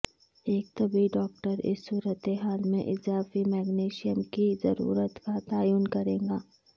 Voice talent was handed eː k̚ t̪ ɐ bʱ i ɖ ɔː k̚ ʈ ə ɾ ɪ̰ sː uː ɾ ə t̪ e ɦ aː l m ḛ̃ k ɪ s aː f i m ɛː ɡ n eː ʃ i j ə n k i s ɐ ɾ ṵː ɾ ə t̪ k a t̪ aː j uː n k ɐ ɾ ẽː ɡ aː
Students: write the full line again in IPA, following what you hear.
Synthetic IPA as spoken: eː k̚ t̪ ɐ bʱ i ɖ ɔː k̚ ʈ ə ɾ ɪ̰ sː uː ɾ ə t̪ e ɦ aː l m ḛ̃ ʔ ɪ z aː f i m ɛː ɡ n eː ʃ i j ə m k i z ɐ ɾ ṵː ɾ ə t̪ k a t̪ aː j uː n k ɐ ɾ ẽː ɡ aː